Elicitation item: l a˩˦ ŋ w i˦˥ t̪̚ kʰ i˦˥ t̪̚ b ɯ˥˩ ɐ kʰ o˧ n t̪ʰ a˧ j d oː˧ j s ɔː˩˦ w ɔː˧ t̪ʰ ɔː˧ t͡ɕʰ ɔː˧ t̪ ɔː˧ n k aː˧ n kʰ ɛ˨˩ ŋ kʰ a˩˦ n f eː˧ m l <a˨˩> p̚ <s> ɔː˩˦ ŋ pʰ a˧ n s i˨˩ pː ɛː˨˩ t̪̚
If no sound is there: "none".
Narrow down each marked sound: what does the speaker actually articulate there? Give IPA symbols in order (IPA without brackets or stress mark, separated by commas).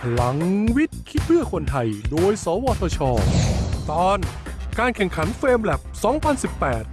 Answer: ɛ˨˩, s